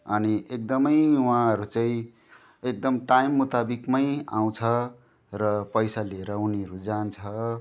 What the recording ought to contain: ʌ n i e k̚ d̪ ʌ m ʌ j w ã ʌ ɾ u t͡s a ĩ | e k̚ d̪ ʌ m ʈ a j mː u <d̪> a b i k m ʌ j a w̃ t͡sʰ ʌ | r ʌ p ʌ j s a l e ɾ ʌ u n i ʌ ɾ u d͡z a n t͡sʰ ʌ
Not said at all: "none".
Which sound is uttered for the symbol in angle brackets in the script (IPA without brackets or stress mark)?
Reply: t̪